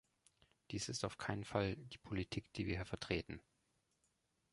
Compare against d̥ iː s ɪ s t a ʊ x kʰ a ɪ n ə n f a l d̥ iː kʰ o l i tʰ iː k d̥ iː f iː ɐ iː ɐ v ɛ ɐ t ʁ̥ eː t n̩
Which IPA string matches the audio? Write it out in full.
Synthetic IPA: d̥ iː s ɪ s t a ʊ f kʰ a ɪ n ə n f a l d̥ iː pʰ o l i tʰ iː k d̥ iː v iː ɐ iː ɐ f ɛ ɐ t ʁ̥ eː t n̩